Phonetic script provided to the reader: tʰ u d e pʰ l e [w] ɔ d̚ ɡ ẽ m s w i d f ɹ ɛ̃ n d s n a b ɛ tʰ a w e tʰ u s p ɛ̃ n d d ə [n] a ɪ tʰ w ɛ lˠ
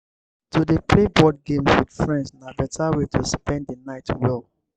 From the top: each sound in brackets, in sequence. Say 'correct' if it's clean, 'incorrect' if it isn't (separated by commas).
incorrect, correct